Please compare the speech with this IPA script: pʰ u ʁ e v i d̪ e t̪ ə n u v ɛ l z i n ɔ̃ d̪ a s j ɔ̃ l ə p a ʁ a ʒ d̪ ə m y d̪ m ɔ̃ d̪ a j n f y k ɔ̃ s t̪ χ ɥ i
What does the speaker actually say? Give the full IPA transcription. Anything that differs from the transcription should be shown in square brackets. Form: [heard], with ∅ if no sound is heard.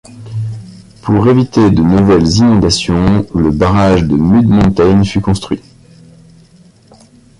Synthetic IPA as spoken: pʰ u ʁ e v i [t̪] e [d̪] ə n u v ɛ l z i n ɔ̃ d̪ a s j ɔ̃ l ə [b] a ʁ a ʒ d̪ ə m y d̪ m ɔ̃ [t̪] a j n f y k ɔ̃ s t̪ χ ɥ i

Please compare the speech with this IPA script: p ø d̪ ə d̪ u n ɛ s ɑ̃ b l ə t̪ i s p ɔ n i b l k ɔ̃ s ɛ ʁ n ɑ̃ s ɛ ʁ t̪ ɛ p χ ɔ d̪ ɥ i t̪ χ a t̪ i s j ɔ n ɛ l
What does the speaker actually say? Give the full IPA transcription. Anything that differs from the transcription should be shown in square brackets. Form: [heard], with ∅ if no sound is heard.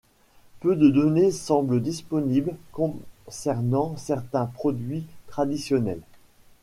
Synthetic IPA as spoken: p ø d̪ ə d̪ [ɔ] n [e] s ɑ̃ b l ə [d̪] i s p ɔ n i b l k ɔ̃ s ɛ ʁ n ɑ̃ s ɛ ʁ t̪ [ɛ̃] p χ ɔ d̪ ɥ i t̪ χ a [d̪] i s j ɔ n ɛ l

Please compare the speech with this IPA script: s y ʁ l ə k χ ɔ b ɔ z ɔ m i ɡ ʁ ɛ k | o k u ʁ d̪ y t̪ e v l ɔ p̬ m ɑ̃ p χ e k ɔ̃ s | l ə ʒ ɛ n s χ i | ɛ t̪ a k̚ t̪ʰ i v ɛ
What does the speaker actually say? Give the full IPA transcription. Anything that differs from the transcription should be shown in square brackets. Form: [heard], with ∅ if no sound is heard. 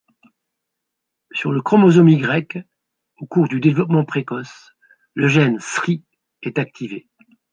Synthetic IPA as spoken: s y ʁ l ə k χ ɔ [m] ɔ z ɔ m i ɡ ʁ ɛ k | o k u ʁ d̪ y [d̪] e v l ɔ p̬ m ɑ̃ p χ e k [ɔ] s | l ə ʒ ɛ n s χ i | ɛ t̪ a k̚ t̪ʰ i v [e]

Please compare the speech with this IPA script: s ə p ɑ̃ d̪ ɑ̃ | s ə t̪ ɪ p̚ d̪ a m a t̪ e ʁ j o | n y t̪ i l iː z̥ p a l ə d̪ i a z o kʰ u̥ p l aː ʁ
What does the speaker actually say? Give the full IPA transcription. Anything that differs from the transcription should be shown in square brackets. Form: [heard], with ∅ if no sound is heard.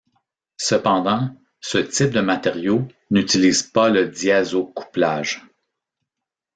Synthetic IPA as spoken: s ə p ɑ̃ d̪ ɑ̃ | s ə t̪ ɪ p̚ d̪ [ə] m a t̪ e ʁ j o | n y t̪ i l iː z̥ p a l ə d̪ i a z o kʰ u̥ p l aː [ʒ]

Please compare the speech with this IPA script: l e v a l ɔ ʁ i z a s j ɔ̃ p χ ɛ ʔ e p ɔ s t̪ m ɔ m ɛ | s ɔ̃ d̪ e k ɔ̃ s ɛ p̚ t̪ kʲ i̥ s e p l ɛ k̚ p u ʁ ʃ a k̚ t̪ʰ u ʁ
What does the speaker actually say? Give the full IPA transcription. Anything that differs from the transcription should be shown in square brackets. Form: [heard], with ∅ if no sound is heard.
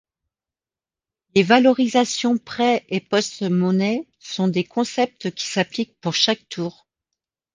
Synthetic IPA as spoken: l e v a l ɔ ʁ i z a s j ɔ̃ p χ ɛ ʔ e p ɔ s t̪ m ɔ [n] ɛ | s ɔ̃ d̪ e k ɔ̃ s ɛ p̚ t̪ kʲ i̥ s [a] p l [i] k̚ p u ʁ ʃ a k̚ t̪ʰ [uː] ʁ

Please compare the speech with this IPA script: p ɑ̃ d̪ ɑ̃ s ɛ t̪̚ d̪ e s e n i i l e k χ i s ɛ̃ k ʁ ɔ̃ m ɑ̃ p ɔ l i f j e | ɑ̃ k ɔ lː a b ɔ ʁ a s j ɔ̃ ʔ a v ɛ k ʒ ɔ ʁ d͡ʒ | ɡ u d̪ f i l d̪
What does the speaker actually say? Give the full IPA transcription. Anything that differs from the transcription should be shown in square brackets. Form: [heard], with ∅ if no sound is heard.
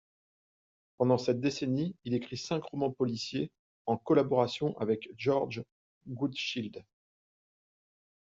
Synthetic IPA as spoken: p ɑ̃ d̪ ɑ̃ s ɛ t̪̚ d̪ e s e n i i l e k χ i s ɛ̃ k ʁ [ɔ] m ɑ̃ p ɔ l i [s] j e | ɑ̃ k ɔ [l] a b ɔ ʁ a s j ɔ̃ ʔ a v ɛ k ʒ ɔ ʁ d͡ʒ | ɡ u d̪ [ʃ] i l d̪

